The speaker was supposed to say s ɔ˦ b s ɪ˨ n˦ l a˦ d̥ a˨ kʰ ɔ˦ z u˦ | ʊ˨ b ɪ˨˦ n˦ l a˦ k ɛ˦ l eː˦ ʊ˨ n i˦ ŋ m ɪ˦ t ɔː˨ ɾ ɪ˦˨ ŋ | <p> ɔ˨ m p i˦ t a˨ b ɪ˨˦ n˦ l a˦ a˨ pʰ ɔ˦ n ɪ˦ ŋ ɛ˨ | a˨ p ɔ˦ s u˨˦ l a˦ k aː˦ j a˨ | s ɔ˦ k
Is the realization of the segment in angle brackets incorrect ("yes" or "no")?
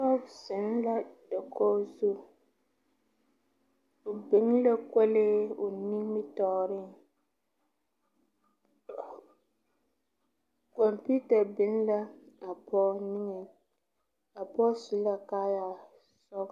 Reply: yes